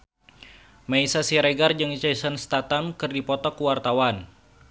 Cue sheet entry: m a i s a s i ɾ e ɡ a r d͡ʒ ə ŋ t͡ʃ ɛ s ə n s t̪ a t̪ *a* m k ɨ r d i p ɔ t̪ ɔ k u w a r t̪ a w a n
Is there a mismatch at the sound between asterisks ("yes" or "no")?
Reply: no